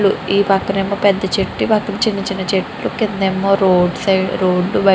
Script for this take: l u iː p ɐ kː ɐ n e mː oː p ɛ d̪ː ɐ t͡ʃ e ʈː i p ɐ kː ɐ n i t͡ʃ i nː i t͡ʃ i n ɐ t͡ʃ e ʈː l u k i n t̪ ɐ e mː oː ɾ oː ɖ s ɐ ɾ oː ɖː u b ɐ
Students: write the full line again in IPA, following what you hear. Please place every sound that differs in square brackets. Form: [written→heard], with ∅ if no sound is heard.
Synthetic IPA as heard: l u iː p ɐ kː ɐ n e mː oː p ɛ d̪ː ɐ t͡ʃ e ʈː i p ɐ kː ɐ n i t͡ʃ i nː i t͡ʃ i n ɐ t͡ʃ e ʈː l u k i n [t̪→d̪] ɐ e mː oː ɾ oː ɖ s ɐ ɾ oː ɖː u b ɐ

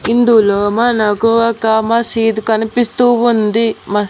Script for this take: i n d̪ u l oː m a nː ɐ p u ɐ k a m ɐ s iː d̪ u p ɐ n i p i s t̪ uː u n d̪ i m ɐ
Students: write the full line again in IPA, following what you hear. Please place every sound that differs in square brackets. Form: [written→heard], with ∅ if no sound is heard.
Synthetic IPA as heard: i n d̪ u l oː m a [nː→n] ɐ [p→k] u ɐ k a m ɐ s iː d̪ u [p→k] ɐ n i p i s t̪ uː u n d̪ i m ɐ

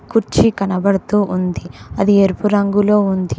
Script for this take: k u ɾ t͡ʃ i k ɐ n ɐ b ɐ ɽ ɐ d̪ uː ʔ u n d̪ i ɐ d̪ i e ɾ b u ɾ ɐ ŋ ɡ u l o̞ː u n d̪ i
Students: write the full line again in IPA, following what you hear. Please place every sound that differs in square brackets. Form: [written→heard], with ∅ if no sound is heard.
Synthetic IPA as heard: k u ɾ t͡ʃ i k ɐ n ɐ b ɐ ɽ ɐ [d̪→t̪] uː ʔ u n d̪ i ɐ d̪ i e ɾ [b→p] u ɾ ɐ ŋ ɡ u l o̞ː u n d̪ i

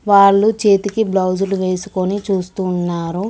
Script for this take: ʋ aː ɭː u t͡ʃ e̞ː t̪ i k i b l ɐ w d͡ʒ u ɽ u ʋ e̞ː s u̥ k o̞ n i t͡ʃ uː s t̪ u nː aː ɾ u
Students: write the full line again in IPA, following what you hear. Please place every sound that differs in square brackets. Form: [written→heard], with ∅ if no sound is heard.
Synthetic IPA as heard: ʋ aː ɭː u t͡ʃ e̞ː t̪ i k i b l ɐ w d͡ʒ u [ɽ→l] u ʋ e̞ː s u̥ k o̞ n i t͡ʃ uː s t̪ u nː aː ɾ u

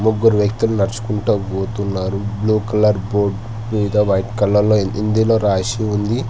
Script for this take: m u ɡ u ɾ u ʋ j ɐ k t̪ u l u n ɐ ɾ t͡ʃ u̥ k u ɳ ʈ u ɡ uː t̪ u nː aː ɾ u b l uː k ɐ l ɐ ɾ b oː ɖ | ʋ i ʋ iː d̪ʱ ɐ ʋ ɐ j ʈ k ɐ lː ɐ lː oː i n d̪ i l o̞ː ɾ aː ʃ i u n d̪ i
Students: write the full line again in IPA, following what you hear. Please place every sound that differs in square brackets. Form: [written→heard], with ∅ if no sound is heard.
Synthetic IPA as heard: m u ɡ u ɾ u ʋ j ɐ k t̪ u l u n ɐ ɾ t͡ʃ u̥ k u ɳ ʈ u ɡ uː t̪ u nː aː ɾ u b l uː k ɐ l ɐ ɾ b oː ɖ | ʋ i ʋ [iː→i] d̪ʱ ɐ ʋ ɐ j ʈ k ɐ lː ɐ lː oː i n d̪ i l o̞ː ɾ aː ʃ i u n d̪ i

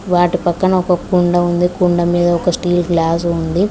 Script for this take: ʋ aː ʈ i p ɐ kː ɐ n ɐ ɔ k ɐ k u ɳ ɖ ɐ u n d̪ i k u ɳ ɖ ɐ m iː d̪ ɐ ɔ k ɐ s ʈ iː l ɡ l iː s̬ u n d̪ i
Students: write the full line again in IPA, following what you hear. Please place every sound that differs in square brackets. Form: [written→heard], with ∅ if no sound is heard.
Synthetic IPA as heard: ʋ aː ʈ i p ɐ kː ɐ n ɐ ɔ k ɐ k u ɳ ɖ ɐ u n d̪ i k u ɳ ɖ ɐ m iː d̪ ɐ ɔ k ɐ s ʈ iː l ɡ l [iː→aː] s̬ u n d̪ i

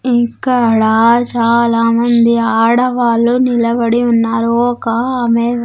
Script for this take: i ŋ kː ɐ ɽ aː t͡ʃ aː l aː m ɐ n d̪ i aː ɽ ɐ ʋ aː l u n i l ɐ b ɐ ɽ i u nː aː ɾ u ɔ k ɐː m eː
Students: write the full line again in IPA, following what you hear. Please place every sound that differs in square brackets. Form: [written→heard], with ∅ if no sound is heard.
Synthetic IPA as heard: i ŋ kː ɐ ɽ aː t͡ʃ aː l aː m ɐ n d̪ i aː ɽ ɐ ʋ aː l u n i l ɐ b ɐ ɽ i u nː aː ɾ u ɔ k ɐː m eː

